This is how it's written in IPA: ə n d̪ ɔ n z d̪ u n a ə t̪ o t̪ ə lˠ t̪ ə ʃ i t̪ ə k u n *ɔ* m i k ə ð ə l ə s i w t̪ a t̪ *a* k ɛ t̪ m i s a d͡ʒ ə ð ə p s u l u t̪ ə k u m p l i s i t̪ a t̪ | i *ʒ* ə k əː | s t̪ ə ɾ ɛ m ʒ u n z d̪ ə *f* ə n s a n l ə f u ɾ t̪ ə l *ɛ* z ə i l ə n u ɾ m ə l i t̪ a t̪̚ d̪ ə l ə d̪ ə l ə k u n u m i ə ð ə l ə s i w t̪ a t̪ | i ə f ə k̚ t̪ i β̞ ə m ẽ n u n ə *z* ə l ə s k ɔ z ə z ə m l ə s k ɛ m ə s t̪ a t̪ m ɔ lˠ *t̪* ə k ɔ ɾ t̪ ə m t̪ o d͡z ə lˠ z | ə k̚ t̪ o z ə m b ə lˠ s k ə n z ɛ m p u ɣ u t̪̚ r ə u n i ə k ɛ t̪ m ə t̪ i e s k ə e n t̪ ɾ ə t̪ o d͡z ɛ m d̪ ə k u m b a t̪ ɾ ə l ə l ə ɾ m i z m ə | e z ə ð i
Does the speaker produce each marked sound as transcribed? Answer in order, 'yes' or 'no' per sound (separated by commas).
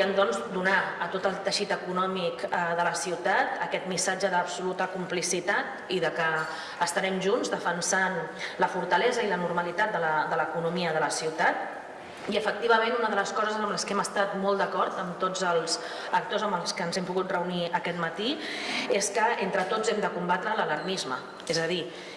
yes, no, no, yes, yes, no, no